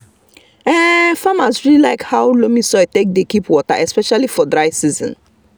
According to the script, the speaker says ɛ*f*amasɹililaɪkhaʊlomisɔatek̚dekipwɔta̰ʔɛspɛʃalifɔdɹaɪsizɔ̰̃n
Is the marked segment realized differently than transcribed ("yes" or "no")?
no